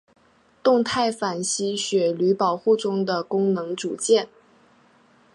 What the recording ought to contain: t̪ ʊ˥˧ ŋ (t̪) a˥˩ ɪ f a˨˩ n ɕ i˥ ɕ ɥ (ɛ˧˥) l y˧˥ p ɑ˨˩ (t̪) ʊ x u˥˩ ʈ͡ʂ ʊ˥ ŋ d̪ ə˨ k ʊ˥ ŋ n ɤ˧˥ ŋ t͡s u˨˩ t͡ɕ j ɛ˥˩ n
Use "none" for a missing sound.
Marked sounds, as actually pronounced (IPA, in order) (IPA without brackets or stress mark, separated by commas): t̪ʰ, ɛ˨˩, none